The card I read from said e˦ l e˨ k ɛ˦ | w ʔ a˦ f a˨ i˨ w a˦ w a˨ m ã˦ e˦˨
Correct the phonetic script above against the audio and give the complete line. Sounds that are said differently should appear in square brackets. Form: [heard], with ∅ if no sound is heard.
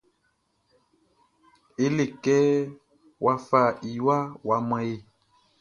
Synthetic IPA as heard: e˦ l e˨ k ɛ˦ | w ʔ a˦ f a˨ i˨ w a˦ w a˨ m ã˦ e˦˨